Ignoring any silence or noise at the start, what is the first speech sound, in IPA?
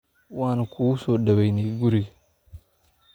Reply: w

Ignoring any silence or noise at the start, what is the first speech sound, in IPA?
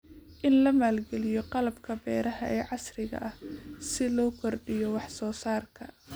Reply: ʔ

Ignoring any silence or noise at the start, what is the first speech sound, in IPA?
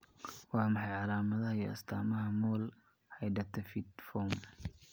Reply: w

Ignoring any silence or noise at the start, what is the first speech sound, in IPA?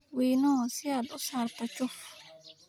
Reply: w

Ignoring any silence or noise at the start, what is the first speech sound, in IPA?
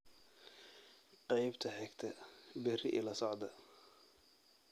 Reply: q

